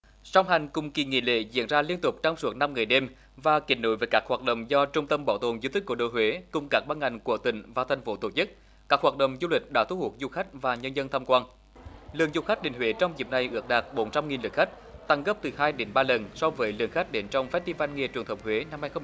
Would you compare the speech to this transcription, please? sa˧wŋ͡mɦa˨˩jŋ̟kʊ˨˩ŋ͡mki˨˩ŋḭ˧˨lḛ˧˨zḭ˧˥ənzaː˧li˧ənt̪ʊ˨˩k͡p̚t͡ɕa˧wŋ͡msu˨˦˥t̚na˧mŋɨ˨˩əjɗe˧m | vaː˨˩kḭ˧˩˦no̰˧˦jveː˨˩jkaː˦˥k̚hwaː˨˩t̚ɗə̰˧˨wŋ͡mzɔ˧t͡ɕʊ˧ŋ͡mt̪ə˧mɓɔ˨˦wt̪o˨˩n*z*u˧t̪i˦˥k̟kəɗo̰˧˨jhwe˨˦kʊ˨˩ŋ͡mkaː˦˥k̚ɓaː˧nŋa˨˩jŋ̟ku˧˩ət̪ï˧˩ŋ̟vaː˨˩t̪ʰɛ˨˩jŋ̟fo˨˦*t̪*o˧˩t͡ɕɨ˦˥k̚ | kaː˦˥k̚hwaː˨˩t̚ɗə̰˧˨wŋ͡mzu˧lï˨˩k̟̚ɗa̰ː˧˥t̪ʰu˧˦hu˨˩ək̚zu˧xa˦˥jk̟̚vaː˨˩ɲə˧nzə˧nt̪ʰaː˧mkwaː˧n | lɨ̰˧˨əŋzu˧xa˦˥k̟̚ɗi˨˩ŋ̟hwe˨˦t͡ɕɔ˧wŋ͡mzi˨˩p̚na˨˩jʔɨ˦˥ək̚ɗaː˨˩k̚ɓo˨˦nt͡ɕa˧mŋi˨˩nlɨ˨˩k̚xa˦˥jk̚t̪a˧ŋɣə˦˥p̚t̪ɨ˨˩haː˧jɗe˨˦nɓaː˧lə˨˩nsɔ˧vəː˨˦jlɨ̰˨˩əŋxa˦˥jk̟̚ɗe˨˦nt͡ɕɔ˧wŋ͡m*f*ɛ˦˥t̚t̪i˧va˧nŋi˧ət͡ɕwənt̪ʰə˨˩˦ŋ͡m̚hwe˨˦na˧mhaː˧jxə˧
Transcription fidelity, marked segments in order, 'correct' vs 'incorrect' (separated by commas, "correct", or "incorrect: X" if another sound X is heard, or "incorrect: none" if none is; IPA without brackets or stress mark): correct, correct, correct